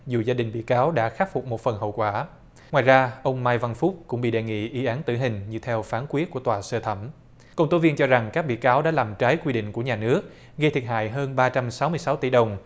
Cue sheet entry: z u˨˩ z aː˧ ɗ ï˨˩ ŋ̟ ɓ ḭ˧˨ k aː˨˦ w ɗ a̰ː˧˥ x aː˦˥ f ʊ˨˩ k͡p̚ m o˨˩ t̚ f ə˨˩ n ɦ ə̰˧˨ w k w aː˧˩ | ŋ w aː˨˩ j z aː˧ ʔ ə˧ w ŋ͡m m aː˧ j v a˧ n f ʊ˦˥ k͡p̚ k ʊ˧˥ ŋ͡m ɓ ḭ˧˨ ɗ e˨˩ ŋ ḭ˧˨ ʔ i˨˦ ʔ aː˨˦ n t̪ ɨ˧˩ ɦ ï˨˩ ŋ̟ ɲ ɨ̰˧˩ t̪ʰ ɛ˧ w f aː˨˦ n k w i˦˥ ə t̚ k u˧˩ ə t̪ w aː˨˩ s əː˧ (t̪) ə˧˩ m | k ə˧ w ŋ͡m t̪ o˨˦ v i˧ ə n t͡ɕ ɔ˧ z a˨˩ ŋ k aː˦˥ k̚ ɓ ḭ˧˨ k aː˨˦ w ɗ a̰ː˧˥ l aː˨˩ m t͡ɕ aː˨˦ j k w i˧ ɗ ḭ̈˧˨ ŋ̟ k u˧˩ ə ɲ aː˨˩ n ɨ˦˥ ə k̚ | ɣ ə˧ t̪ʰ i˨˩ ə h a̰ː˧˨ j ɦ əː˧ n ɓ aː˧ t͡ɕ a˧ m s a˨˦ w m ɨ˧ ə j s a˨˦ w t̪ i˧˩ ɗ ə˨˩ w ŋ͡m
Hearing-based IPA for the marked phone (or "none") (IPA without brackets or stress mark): t̪ʰ